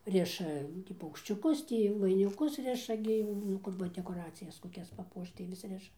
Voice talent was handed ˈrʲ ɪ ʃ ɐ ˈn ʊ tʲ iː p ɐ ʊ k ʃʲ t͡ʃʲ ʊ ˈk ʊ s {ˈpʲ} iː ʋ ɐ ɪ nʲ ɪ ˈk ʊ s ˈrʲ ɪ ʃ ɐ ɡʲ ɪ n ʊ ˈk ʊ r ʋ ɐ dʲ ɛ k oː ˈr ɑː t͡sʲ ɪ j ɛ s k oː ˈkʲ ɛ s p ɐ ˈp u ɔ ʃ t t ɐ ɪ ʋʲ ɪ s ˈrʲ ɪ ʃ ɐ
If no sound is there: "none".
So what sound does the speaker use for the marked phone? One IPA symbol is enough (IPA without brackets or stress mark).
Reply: tʲ